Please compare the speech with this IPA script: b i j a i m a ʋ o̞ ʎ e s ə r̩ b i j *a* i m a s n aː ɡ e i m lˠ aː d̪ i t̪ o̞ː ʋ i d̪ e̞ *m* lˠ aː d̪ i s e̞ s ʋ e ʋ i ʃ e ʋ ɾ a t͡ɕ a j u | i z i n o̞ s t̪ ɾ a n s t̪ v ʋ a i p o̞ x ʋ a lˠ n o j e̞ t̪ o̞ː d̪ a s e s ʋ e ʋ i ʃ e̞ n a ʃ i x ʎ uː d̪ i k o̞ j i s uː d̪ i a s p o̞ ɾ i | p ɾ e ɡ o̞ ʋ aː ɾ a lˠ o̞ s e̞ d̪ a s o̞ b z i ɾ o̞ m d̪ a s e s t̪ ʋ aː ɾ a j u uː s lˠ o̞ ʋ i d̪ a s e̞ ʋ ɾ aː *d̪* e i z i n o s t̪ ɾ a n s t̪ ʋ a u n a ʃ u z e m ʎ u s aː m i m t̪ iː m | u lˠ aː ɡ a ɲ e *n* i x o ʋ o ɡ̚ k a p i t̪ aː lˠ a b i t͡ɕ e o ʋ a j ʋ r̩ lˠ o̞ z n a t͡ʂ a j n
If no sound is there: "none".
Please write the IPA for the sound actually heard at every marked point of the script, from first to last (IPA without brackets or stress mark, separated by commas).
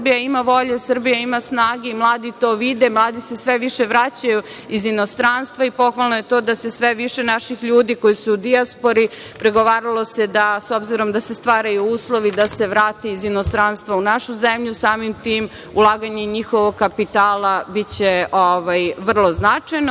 a, m, t̪, ɲ